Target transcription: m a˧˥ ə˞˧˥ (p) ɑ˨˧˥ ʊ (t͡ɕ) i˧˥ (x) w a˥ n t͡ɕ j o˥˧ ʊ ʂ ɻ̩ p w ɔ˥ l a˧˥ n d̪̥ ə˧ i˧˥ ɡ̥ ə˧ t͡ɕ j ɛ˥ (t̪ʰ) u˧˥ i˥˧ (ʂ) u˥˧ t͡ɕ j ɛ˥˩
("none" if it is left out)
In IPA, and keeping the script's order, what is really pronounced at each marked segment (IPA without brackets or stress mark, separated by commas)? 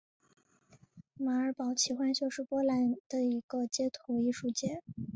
p, t͡ɕʰ, x, t̪ʰ, ʂ